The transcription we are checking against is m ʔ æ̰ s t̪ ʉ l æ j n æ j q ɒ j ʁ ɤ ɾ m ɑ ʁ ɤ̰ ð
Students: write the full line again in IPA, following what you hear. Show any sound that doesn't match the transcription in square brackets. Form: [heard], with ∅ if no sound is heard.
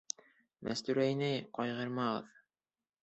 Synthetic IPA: m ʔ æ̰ s t̪ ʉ [ɾ] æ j n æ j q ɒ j ʁ ɤ ɾ m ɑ ʁ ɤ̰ ð